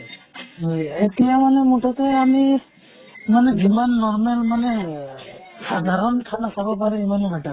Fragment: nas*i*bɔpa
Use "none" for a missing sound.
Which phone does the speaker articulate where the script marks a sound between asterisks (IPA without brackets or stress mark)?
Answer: a